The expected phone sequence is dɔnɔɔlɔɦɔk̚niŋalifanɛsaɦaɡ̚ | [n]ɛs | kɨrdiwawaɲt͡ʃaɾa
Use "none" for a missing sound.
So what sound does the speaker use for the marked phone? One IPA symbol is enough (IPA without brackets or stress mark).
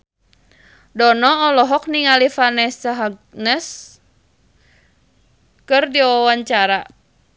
n